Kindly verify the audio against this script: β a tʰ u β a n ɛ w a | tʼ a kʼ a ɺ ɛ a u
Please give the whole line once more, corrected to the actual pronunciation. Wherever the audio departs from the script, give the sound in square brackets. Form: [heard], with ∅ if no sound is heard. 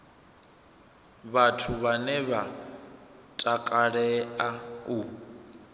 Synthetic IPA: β a tʰ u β a n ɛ [β] a | tʼ a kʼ a ɺ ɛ a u